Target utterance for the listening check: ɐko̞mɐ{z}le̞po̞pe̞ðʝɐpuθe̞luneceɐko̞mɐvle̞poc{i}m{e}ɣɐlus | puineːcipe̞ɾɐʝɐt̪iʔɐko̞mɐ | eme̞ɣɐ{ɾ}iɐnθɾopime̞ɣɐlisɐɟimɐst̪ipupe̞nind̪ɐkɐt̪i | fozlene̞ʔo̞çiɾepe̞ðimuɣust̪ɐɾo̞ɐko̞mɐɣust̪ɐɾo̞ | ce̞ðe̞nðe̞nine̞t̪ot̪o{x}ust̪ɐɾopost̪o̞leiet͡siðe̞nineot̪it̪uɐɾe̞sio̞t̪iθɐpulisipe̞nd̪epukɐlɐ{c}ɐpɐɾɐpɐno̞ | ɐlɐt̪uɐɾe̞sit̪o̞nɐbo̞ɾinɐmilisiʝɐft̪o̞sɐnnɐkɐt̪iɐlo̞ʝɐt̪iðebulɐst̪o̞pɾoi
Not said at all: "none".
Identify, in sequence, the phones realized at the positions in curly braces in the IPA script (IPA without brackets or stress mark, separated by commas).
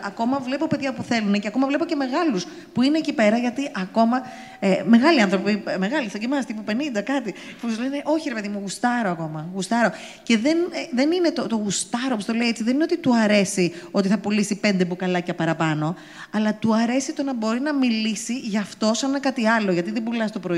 v, e, e, l, ɣ, c